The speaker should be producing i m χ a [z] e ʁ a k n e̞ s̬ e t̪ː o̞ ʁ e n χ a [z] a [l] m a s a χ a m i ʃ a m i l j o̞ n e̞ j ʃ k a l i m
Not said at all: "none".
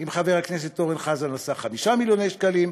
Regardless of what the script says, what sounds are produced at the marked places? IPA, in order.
v, z, l

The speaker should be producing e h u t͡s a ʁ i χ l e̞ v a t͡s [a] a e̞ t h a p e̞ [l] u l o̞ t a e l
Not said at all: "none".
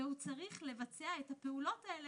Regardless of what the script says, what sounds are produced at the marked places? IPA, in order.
e, none

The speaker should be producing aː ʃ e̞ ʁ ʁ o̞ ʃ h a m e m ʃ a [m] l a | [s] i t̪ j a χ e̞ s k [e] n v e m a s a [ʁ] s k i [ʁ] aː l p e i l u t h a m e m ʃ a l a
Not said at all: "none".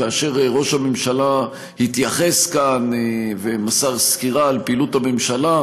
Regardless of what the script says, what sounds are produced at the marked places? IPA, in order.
none, h, a, ʁ, ʁ

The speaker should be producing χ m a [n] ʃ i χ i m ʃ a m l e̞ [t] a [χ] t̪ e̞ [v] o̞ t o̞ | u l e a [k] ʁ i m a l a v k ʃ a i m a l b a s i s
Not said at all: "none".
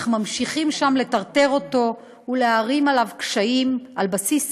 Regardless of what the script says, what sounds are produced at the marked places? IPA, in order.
m, t, ʁ, ʁ, none

